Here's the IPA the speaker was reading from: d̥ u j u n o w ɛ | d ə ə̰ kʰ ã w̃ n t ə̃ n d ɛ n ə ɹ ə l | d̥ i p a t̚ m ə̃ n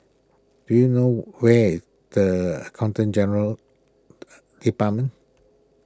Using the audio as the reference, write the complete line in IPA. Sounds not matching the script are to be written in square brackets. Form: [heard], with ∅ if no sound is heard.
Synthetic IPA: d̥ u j u n o w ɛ | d ə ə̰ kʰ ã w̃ n t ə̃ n [d͡ʒ] ɛ n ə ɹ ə l | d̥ i p a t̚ m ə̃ n

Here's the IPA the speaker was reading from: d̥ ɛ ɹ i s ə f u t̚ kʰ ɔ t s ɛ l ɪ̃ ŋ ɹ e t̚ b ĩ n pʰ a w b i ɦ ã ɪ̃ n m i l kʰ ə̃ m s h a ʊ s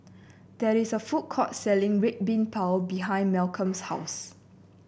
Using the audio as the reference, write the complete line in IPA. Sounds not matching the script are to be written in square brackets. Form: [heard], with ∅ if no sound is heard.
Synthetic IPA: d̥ ɛ ɹ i s ə f u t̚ kʰ ɔ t s ɛ l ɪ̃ ŋ ɹ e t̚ b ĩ n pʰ a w b i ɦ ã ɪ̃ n m [ɛ] l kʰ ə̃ m s h a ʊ s

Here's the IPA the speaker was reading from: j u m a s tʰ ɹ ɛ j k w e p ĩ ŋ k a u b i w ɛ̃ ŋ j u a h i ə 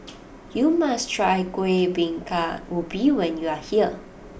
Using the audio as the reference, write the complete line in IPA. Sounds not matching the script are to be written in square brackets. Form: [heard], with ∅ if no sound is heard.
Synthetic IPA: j u m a s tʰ ɹ [a] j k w e [b] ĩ ŋ k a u b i w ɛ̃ [n] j u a h i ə

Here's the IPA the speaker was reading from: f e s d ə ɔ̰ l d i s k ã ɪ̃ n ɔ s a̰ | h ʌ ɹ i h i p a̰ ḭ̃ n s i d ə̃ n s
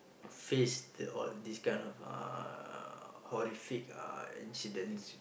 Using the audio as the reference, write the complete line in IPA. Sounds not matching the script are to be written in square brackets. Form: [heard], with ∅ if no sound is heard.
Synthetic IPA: f e s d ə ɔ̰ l d i s k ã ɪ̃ n ɔ [f] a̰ | h [ɔ] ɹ i [f] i [k] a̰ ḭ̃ n s i d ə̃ n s

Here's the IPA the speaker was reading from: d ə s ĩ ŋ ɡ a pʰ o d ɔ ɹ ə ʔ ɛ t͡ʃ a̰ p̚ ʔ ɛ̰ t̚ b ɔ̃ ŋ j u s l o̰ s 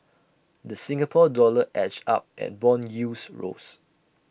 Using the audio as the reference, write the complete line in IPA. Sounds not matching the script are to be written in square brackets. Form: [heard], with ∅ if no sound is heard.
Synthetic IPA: d ə s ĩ ŋ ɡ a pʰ [ɔ] d ɔ [l] ə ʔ ɛ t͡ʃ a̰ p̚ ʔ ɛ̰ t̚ b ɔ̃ [n] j u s [ɹ] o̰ s

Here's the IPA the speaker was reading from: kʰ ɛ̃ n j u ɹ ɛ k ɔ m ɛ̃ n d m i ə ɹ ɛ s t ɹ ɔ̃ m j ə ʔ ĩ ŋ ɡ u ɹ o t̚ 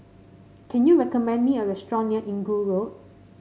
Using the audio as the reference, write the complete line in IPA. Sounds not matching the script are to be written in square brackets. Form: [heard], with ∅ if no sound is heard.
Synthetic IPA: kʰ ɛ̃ n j u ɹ ɛ k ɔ m ɛ̃ n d m i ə ɹ ɛ s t ɹ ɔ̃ [n] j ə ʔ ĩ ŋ ɡ u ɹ o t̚

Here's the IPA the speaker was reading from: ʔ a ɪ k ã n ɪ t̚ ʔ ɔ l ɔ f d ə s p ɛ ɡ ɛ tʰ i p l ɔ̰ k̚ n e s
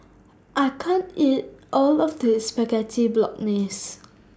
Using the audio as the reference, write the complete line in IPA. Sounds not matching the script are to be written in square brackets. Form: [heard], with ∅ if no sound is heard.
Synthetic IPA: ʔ a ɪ [kʰ] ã n [i] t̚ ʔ ɔ l ɔ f d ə s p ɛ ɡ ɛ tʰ i [b] l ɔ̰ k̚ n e s

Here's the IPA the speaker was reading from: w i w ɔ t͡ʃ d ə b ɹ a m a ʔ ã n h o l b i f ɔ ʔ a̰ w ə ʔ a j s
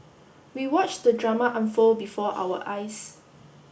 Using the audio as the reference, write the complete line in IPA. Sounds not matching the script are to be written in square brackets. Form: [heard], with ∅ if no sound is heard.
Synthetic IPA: w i w ɔ t͡ʃ d ə [d] ɹ a m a ʔ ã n [f] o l b i f ɔ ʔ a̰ w ə ʔ a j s

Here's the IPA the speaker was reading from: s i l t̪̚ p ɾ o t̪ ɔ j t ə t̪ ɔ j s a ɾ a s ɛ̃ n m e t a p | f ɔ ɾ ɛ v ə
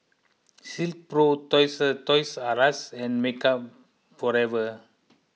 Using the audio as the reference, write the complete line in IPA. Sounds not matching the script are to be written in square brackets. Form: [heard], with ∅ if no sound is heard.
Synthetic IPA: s i l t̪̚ p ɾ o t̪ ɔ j [s] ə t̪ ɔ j s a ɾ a s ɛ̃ n m e [k] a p | f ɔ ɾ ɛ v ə

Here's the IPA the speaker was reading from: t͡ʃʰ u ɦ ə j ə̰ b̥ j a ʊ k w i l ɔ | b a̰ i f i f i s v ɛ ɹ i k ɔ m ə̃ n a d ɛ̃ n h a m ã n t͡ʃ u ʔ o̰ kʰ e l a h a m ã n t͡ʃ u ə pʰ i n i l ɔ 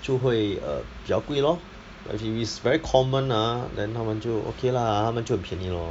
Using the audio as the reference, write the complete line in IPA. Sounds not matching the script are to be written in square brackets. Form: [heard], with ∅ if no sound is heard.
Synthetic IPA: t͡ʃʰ u ɦ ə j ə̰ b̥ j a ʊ k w i l ɔ | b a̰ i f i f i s v ɛ ɹ i [kʰ] ɔ m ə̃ n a d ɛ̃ n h a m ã n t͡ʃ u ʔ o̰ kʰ e l a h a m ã n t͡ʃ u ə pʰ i n i l ɔ

